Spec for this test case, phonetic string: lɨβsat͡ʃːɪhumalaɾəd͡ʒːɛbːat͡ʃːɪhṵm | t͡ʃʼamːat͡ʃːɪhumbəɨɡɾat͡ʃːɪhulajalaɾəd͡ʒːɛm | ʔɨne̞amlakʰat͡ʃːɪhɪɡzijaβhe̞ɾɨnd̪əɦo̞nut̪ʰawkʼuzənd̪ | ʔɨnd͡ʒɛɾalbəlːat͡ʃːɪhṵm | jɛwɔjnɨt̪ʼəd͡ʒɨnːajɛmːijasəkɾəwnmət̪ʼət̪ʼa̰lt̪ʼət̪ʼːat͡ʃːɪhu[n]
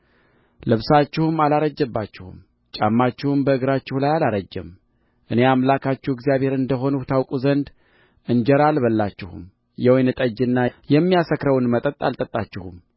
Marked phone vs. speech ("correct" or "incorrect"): incorrect